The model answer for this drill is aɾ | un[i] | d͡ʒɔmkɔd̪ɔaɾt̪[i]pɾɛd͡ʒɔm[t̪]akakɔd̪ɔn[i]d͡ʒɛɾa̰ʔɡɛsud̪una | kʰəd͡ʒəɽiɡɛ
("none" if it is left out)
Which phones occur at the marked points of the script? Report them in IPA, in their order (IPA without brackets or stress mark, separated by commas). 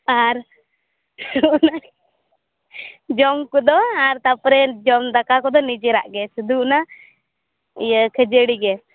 a, a, d̪, i